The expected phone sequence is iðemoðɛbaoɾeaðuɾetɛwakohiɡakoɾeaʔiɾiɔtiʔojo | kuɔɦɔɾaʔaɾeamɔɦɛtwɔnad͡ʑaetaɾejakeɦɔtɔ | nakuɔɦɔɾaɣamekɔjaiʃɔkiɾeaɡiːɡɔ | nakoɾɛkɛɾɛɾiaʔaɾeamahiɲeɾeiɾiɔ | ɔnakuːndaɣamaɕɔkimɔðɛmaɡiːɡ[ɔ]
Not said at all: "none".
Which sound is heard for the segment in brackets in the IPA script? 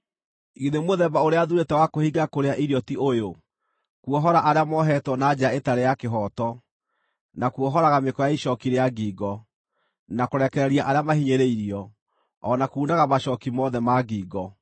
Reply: ɔ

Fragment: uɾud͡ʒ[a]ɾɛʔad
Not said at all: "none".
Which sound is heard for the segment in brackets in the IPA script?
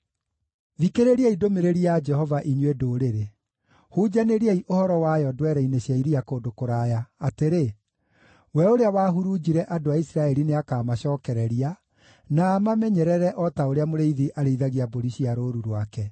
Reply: i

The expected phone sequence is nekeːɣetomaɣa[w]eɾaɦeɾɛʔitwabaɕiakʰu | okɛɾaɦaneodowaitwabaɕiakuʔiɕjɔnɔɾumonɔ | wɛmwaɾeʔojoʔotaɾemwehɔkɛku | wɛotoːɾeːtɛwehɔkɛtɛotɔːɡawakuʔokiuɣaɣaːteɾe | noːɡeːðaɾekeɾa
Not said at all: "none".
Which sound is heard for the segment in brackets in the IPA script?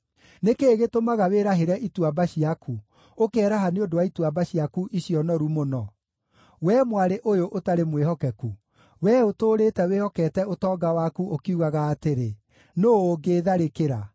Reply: w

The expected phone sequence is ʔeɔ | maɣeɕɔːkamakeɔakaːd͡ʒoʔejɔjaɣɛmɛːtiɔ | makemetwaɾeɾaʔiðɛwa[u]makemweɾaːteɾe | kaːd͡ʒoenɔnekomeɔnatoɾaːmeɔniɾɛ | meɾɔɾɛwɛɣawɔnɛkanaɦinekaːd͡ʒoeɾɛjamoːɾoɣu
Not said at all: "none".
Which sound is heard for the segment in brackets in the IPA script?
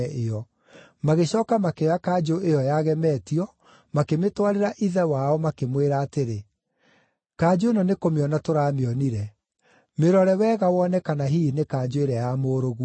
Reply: ɔ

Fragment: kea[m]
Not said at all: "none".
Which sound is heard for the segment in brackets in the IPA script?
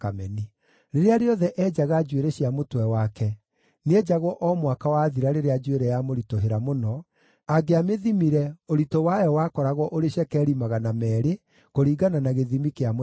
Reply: m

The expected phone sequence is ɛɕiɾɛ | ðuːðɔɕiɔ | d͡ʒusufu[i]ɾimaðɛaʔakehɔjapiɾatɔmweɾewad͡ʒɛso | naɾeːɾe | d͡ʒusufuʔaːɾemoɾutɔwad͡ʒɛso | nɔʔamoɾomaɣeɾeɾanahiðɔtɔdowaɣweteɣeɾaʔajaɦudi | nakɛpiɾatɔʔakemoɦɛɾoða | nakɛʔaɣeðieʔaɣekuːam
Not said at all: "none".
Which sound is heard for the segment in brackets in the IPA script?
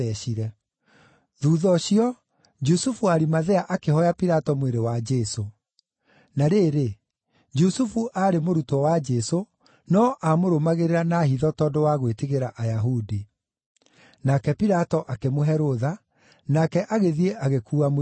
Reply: a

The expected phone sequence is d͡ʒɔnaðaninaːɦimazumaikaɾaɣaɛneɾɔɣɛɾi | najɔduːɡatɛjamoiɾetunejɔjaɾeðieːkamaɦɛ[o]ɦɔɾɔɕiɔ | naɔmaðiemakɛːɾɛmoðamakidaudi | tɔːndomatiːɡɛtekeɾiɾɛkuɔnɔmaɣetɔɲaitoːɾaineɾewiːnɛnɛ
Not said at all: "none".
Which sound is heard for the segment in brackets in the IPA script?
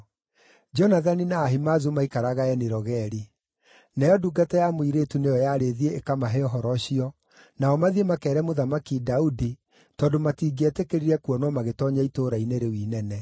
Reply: ɔ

